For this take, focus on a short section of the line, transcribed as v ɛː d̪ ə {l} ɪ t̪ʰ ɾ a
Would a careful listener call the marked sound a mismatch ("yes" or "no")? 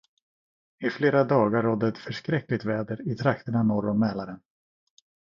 yes